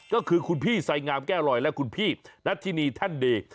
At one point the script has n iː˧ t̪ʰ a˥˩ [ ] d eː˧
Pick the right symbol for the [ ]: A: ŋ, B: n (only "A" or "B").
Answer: B